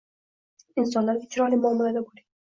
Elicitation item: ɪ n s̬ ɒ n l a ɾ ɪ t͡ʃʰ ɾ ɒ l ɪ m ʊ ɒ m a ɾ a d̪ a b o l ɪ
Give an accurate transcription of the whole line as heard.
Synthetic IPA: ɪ n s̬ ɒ n l a ɾ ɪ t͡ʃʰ ɾ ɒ l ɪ m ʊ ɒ m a l a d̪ a b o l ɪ